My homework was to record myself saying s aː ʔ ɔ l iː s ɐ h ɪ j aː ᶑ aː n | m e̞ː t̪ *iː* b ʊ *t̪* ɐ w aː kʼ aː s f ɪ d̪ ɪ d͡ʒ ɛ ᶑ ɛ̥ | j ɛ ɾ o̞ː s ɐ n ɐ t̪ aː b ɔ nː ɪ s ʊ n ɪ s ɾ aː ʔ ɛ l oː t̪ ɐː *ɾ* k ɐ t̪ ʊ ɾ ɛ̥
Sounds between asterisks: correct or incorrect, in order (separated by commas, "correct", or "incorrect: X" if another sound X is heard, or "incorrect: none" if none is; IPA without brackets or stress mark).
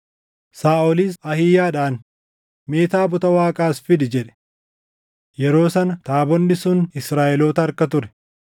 incorrect: aː, correct, correct